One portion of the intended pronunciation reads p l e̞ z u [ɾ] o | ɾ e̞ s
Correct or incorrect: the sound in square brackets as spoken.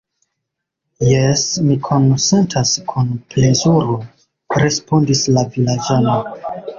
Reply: correct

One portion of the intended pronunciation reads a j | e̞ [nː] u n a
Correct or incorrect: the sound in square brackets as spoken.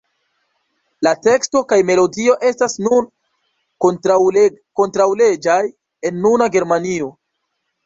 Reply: correct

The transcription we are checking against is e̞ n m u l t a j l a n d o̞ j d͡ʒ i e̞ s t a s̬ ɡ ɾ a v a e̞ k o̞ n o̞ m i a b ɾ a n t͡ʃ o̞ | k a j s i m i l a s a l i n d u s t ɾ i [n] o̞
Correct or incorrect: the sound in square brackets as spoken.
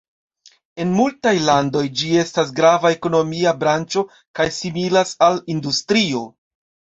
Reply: incorrect: none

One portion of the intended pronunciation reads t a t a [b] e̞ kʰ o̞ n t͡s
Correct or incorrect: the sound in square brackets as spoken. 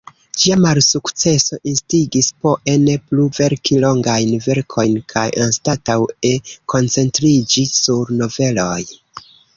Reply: incorrect: w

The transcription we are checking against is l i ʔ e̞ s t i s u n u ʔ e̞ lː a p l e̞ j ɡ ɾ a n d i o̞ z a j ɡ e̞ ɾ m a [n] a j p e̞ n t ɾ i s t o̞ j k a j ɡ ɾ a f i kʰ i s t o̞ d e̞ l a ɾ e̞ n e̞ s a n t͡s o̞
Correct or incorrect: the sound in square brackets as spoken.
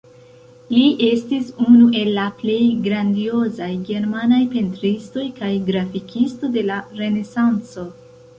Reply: correct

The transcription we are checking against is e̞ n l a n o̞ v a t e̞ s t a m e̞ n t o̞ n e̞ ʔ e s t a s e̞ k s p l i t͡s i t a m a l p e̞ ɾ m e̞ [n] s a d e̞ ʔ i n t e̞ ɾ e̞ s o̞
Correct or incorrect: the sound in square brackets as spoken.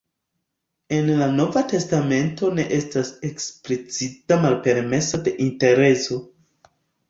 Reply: incorrect: none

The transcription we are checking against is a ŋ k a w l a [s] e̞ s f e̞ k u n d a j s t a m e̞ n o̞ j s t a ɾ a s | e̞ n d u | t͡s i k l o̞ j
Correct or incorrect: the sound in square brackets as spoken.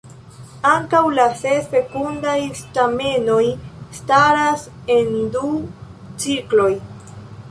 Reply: correct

